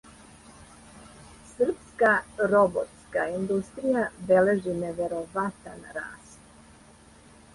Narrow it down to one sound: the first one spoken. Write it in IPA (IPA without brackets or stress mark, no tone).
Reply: s